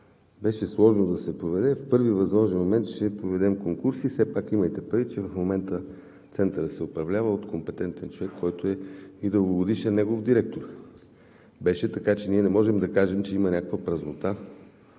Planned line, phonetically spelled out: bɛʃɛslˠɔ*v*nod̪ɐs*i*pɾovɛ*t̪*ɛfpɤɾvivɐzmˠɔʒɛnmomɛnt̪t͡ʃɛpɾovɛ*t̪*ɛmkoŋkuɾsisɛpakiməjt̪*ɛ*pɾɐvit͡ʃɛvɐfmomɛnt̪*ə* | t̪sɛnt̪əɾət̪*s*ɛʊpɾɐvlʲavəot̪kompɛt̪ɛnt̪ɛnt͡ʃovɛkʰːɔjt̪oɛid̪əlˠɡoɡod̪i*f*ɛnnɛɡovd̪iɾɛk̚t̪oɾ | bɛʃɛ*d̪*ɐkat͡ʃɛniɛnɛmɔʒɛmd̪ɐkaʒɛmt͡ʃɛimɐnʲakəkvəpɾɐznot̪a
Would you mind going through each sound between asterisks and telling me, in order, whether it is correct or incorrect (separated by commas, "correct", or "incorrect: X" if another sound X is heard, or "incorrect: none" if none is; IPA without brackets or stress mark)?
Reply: incorrect: ʒ, incorrect: ɛ, incorrect: d̪, incorrect: d̪, correct, correct, correct, incorrect: ʃ, incorrect: t̪